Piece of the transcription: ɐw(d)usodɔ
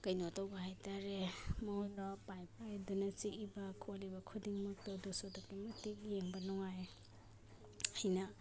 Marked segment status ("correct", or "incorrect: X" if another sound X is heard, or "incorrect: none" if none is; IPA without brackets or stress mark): correct